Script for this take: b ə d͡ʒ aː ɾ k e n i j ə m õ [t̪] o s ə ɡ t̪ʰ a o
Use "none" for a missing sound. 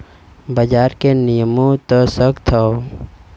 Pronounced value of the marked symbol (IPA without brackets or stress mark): t̪